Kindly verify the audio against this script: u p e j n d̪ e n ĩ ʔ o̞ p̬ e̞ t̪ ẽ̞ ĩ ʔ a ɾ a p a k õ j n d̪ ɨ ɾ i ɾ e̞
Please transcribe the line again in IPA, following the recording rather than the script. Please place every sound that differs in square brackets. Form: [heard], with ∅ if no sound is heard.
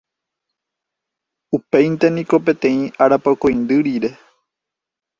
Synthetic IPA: u p e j n [t̪] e n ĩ [k] o̞ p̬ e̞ t̪ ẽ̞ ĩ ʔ a ɾ a p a k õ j n d̪ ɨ ɾ i ɾ e̞